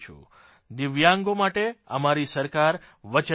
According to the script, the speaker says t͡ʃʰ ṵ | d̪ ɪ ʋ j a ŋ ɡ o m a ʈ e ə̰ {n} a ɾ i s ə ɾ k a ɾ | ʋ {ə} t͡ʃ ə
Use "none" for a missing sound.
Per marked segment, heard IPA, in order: m, ə

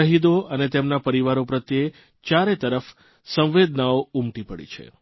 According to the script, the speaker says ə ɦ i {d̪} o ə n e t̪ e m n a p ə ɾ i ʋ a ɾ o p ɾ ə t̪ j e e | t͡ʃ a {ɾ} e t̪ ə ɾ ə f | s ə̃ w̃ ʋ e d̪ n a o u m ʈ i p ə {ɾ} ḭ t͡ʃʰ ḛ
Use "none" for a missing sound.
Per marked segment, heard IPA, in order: d̪, ɾ, ɽ

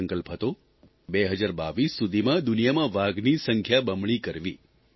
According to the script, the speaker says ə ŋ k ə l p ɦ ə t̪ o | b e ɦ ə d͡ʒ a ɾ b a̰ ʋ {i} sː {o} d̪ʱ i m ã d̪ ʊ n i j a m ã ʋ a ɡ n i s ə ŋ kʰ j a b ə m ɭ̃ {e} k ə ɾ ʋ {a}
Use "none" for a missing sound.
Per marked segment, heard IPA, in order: i, u, i, i

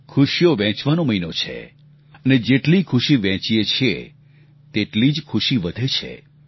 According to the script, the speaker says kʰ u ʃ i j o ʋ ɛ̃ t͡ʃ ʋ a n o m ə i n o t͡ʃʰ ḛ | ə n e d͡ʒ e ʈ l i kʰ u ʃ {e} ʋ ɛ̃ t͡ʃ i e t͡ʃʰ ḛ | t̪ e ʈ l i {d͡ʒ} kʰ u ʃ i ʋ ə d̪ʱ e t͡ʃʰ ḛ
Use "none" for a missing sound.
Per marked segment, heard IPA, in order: i, d͡ʒ

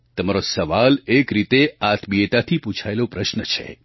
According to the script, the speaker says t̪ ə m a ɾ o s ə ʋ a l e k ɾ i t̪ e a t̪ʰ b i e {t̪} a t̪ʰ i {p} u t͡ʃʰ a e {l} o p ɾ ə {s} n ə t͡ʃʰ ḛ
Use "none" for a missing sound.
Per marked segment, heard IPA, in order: t̪, p, l, ʃ

